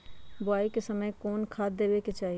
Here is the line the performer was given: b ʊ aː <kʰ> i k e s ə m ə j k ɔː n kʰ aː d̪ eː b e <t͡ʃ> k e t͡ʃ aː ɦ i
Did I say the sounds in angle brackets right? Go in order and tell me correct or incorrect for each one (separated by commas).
incorrect, incorrect